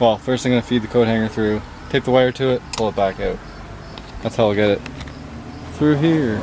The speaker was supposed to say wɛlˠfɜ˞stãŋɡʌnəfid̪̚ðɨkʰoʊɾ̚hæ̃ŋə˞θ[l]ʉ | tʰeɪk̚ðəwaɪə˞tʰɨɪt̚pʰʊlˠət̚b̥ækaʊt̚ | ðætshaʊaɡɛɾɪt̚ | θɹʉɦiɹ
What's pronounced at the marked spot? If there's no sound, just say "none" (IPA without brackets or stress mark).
ɹ